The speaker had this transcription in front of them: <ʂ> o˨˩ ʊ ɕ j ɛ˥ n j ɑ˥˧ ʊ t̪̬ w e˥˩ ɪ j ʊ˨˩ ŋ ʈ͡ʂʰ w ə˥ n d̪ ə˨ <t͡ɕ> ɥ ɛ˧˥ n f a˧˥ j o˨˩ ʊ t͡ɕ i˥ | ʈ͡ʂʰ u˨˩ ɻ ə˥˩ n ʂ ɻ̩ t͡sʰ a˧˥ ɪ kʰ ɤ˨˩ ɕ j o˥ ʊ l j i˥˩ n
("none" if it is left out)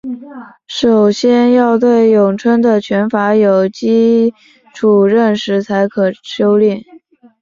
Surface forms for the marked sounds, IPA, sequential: ʂ, t͡ɕʰ

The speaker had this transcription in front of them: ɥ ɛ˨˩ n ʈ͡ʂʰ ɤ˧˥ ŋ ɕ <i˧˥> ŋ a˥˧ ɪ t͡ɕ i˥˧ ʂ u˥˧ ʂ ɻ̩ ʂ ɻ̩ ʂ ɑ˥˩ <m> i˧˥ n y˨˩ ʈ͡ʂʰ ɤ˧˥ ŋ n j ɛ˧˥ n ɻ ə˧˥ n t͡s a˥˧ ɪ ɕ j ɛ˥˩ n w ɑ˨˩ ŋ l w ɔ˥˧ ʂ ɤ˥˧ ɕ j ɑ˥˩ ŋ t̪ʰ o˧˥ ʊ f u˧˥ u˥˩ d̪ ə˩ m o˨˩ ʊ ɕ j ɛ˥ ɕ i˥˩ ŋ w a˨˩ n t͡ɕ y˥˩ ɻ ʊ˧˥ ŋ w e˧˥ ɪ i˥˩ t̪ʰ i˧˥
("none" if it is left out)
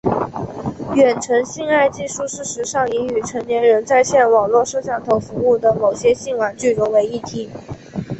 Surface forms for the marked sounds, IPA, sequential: i˥˧, ŋ

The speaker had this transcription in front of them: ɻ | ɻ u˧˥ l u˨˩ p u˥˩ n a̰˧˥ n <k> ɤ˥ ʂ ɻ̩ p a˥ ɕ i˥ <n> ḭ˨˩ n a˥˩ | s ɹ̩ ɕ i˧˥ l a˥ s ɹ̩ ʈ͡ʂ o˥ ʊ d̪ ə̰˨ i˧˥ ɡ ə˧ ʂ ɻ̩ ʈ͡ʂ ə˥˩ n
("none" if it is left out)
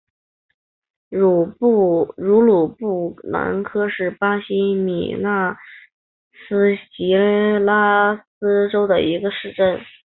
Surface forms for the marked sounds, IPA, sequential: kʰ, m

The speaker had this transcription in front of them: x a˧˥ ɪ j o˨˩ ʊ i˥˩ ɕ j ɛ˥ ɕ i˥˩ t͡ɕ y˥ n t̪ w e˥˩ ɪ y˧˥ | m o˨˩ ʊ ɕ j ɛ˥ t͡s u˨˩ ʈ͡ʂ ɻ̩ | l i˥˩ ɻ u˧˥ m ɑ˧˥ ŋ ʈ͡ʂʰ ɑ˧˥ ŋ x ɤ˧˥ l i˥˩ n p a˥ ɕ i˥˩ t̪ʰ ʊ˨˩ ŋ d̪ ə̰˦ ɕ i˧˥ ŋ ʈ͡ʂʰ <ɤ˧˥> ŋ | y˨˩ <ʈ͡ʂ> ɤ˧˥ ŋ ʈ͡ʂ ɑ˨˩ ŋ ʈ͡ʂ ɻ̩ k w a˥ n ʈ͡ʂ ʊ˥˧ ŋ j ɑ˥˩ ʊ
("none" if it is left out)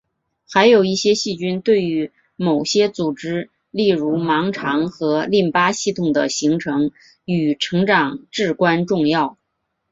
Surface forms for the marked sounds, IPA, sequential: ɤ˧˥, ʈ͡ʂʰ

